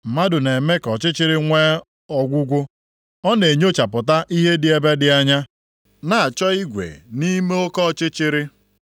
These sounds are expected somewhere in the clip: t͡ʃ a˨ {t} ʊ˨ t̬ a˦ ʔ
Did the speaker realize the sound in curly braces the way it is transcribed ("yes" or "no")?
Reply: no